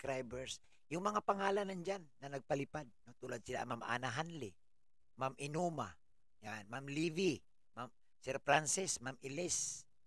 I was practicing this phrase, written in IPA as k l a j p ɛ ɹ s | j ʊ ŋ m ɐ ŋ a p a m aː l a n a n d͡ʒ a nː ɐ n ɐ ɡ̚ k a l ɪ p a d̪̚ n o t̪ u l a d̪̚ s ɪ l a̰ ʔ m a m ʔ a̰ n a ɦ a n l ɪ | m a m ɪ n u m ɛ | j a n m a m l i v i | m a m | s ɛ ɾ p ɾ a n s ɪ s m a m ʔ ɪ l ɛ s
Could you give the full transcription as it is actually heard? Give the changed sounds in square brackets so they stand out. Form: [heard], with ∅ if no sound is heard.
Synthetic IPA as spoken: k [ɾ] a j [b] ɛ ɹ s | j ʊ ŋ m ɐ ŋ a p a [ŋ] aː l a n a n d͡ʒ a nː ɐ n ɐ ɡ̚ [p] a l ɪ p a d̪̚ n o t̪ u l a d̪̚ s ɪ l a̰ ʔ m a m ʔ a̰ n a ɦ a n l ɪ | m a m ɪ n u m [a] | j a n m a m l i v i | m a m | s ɛ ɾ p ɾ a n s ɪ s m a m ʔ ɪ l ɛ s